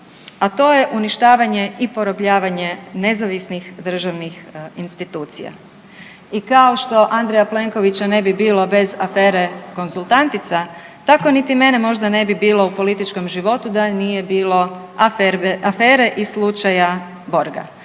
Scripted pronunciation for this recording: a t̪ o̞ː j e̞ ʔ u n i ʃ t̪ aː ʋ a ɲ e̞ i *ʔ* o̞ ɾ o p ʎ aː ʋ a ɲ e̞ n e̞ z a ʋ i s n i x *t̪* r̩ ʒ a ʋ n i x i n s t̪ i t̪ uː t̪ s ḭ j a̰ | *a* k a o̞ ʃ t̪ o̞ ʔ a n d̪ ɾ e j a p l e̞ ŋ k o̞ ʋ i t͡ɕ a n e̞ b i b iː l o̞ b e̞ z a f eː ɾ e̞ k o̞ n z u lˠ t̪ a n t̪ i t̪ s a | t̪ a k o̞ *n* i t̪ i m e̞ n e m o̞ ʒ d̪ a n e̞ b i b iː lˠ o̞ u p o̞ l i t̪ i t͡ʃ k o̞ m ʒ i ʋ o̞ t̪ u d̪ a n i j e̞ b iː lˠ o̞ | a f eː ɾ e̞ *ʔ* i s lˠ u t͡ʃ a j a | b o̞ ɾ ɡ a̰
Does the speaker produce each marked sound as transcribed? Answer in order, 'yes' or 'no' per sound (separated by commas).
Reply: no, no, no, yes, yes